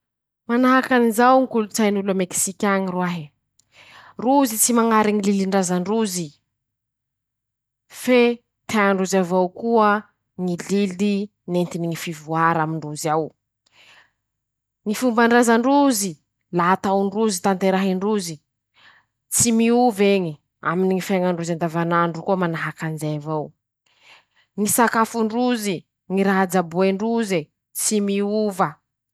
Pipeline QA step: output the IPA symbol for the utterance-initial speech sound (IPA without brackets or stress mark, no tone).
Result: m